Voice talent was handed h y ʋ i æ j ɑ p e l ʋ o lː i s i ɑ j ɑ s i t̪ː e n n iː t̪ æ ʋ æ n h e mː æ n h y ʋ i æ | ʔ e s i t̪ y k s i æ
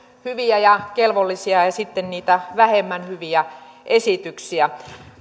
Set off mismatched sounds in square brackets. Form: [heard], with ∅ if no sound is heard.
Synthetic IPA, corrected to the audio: h y ʋ i æ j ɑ [k] e l ʋ o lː i s i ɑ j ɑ s i t̪ː e n n iː t̪ æ ʋ æ [∅] h e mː æ n h y ʋ i æ | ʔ e s i t̪ y k s i æ

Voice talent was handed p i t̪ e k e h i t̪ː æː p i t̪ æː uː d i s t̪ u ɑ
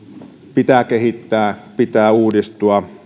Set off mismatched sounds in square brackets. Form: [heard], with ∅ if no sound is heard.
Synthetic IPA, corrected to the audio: p i t̪ [æ] k e h i t̪ː æː p i t̪ æː uː d i s t̪ u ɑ

